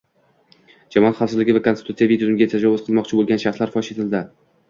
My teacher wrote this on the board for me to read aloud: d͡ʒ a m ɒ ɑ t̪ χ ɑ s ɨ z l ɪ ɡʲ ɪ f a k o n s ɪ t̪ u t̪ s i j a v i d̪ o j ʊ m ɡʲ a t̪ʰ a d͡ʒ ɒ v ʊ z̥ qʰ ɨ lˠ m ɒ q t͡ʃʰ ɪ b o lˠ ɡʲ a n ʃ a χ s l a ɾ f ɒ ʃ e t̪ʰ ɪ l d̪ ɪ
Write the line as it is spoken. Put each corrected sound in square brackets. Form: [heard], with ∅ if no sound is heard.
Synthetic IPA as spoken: d͡ʒ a m ɒ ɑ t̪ χ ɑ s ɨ z l ɪ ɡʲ ɪ [v] a k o n s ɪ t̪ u t̪ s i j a v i d̪ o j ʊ m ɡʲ a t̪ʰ a d͡ʒ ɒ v ʊ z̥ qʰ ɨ lˠ m ɒ q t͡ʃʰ ɪ b o lˠ ɡʲ a n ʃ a χ s l a ɾ f ɒ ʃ e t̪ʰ ɪ l d̪ ɪ